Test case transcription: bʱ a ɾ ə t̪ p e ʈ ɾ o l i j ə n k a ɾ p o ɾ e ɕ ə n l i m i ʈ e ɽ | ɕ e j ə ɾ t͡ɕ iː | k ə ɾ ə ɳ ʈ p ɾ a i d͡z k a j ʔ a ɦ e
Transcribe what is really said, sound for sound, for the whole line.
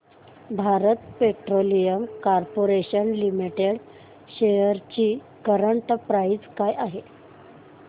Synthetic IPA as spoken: bʱ a ɾ ə t̪ p e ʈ ɾ o l i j ə m k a ɾ p o ɾ e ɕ ə n l i m i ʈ e ɽ | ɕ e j ə ɾ t͡ɕ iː | k ə ɾ ə ɳ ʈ p ɾ a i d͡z k a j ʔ a ɦ e